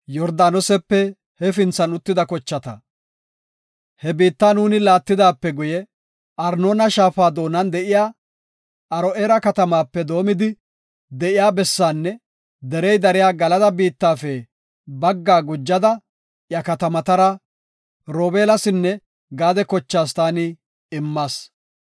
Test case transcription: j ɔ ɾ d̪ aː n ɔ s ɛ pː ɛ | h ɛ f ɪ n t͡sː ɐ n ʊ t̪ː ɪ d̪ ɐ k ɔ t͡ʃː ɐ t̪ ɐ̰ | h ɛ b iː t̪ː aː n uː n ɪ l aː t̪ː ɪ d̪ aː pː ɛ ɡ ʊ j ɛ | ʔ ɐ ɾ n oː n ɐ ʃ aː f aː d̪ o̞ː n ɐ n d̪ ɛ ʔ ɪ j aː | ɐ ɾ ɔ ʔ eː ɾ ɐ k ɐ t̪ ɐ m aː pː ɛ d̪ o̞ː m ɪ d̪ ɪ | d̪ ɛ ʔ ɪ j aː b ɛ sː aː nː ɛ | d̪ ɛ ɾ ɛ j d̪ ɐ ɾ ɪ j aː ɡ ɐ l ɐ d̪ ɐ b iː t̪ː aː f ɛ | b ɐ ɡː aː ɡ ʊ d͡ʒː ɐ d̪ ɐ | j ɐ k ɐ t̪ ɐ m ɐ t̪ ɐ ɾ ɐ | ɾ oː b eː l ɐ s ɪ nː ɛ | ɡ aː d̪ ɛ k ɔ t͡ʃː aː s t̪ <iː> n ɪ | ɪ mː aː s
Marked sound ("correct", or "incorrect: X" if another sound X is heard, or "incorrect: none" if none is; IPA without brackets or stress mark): incorrect: aː